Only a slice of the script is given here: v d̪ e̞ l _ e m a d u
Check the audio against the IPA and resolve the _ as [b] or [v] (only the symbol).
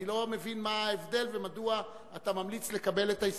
v